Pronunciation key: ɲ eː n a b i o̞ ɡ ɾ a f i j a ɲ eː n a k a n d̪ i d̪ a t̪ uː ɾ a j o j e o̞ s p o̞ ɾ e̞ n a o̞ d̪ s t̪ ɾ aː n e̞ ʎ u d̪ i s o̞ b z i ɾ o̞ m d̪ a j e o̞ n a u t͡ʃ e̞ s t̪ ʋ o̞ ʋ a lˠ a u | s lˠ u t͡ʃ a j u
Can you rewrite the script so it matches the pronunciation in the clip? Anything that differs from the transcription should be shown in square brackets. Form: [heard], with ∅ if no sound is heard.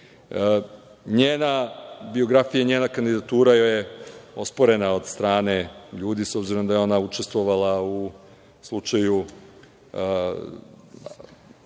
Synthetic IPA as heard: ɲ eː n a b i o̞ ɡ ɾ a f i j a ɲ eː n a k a n d̪ i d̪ a t̪ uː ɾ a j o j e o̞ s p o̞ ɾ e̞ n a o̞ d̪ s t̪ ɾ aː n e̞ ʎ [uː] d̪ i s o̞ b z i ɾ o̞ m d̪ a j e o̞ n a u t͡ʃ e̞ s t̪ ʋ o̞ ʋ a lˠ a u | s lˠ u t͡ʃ a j u